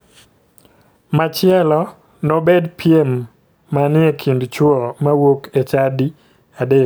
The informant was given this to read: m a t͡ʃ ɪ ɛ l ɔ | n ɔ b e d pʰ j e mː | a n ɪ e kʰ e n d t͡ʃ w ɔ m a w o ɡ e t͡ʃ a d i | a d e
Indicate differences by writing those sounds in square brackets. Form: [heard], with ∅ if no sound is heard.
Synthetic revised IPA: m a t͡ʃ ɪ ɛ l ɔ | n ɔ b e d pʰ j e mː | a n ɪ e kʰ [i] n d t͡ʃ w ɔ m a w o [k] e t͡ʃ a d i | a d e